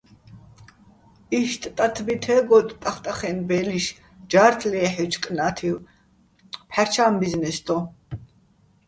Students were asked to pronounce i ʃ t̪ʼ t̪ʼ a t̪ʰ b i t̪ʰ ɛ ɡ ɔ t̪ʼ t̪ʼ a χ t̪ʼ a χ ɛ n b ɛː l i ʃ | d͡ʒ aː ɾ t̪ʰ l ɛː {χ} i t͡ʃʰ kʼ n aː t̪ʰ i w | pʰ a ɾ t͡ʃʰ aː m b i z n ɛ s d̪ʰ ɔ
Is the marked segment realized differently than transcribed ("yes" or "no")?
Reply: yes